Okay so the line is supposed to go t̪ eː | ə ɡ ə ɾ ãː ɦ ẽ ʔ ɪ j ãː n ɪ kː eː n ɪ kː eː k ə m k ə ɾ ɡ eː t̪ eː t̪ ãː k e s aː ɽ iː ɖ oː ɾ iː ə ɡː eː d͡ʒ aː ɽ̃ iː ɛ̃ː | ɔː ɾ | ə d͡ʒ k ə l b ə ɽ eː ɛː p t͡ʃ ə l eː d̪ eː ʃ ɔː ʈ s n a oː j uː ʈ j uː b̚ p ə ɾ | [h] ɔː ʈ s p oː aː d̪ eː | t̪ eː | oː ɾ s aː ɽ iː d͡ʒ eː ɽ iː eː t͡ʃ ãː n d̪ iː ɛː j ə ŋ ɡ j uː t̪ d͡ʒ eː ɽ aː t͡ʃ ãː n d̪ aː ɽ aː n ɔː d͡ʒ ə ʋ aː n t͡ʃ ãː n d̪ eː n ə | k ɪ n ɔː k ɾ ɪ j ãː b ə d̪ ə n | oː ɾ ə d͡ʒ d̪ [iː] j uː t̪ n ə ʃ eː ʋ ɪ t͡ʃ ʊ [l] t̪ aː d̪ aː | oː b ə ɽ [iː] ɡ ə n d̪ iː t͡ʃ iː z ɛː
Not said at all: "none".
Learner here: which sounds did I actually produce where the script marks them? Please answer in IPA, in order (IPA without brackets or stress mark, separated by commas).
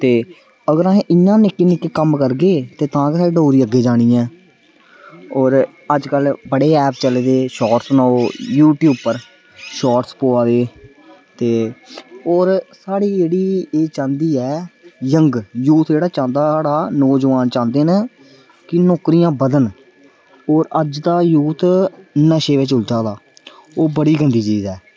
ʃ, aː, l, iː